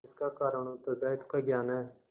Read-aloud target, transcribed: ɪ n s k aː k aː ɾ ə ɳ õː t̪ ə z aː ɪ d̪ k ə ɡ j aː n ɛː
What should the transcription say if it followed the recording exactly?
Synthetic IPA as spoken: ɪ s k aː k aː ɾ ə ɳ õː t̪ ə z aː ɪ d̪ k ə ɡ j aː n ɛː